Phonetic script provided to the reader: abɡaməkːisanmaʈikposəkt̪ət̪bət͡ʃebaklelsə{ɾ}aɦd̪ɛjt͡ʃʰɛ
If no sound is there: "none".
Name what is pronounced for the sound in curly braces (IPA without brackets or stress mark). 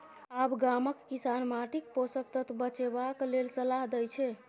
l